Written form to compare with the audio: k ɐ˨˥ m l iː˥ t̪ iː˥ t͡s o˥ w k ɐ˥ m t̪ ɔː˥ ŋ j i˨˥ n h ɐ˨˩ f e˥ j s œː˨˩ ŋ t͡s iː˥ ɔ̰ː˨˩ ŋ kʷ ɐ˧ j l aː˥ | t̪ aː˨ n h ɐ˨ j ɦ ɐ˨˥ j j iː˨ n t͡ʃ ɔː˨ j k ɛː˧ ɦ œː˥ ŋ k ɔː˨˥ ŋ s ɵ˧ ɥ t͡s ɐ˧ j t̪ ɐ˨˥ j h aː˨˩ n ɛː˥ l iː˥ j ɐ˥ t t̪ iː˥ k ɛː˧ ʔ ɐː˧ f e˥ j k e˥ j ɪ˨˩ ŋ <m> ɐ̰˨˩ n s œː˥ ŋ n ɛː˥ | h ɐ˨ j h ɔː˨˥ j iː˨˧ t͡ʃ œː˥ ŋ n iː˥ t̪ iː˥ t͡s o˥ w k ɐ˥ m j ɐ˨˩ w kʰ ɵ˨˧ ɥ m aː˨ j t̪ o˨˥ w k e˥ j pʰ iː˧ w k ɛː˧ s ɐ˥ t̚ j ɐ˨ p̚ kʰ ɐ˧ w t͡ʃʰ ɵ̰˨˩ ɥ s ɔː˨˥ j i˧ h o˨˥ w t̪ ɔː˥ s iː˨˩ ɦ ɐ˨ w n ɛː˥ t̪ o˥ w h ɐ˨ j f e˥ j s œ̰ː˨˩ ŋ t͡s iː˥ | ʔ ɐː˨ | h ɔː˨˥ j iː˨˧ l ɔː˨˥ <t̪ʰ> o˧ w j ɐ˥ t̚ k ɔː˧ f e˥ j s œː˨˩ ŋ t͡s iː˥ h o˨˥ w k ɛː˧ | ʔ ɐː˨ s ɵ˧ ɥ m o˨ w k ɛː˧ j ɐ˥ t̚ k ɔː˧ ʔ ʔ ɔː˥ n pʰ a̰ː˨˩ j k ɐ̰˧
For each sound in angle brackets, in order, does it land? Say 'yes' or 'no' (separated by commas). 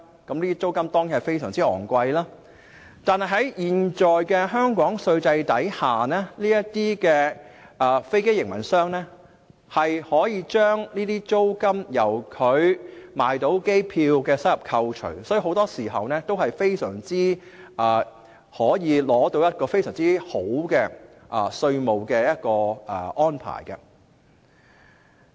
yes, no